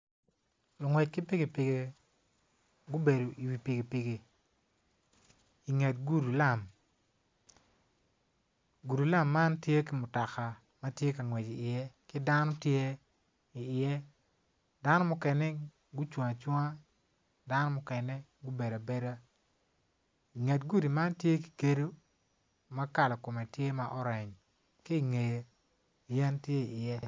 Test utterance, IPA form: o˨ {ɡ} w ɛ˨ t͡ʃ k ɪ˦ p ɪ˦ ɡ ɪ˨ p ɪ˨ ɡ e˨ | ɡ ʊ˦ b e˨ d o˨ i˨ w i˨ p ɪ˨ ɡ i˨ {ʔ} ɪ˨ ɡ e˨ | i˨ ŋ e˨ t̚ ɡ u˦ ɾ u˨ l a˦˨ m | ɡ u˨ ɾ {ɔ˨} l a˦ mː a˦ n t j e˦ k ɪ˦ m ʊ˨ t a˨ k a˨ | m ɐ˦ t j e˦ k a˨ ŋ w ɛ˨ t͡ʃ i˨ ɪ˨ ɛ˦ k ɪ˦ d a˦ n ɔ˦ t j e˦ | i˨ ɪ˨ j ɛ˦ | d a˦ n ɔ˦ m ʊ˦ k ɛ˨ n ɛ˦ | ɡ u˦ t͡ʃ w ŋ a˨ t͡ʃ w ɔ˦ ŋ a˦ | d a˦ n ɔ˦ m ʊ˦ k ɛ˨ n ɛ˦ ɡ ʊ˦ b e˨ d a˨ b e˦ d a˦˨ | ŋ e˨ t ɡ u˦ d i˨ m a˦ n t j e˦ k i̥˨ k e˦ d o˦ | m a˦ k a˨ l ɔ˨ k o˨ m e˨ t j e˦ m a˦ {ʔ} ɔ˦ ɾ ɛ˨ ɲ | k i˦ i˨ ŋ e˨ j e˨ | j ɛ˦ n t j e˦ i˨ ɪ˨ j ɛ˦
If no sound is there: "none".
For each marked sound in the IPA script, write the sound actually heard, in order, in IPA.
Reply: ŋ, p, u˨, ʔ

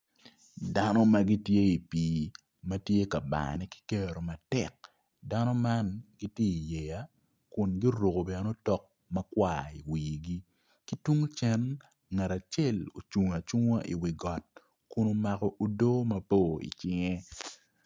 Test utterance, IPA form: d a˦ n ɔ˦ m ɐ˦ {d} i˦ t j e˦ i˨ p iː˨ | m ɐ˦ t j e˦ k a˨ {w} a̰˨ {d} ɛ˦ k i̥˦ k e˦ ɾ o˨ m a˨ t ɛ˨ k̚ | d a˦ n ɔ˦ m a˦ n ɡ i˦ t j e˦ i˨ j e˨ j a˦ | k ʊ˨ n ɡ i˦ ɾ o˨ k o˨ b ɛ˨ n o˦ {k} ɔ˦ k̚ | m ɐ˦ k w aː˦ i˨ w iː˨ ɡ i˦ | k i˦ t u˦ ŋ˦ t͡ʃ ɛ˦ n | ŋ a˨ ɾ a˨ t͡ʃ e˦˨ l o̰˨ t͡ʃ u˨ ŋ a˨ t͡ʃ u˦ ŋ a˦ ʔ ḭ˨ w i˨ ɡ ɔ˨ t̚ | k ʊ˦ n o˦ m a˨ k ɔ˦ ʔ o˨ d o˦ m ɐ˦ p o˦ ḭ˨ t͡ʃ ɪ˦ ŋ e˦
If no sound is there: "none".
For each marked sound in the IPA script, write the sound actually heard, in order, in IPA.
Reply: ɡ, b, n, t

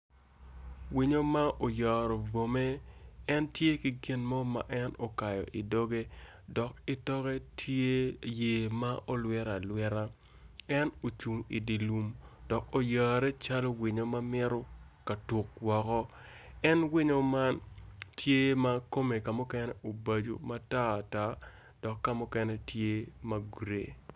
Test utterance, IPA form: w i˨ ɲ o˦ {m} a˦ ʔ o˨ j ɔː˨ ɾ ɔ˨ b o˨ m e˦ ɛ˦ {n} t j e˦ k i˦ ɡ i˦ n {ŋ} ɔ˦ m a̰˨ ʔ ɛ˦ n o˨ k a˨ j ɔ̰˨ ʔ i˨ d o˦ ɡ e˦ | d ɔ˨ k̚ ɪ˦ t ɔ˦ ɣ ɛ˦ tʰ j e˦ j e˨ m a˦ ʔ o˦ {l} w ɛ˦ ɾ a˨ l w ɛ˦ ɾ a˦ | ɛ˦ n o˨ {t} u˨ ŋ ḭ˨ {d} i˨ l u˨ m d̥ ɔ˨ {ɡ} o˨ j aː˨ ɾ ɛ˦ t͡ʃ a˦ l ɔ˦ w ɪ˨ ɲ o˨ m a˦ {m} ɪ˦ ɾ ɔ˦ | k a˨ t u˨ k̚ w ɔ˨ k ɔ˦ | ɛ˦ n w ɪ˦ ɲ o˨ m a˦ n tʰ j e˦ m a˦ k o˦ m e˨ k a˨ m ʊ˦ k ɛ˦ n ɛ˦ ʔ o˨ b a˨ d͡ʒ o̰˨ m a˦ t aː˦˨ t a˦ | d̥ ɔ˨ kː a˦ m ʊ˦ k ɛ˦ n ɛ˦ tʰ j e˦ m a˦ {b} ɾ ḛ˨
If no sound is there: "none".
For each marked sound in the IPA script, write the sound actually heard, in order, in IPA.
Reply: m, n, m, l, t͡ʃ, d, k, m, ɡ

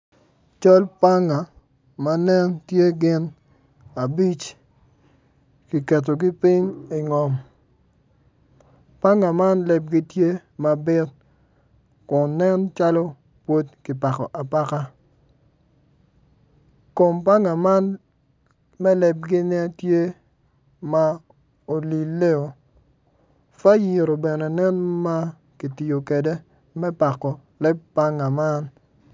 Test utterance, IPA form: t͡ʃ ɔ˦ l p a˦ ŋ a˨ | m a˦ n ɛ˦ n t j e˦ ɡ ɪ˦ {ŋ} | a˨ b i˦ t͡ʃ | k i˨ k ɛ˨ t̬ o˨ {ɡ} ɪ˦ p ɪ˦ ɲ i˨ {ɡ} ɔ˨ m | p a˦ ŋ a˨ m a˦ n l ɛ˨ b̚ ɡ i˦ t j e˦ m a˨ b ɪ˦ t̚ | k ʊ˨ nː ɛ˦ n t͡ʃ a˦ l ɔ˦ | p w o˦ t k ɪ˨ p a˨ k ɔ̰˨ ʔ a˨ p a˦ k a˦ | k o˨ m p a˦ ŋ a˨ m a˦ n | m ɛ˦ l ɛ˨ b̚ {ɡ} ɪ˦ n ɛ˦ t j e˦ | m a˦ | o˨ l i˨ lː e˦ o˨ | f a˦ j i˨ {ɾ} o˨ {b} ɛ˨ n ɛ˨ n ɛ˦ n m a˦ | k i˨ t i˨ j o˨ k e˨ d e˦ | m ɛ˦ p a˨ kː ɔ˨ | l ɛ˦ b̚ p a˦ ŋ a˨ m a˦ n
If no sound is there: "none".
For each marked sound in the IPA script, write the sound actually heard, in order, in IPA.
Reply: n, ɡ, ŋ, ɡ, ɾ, b

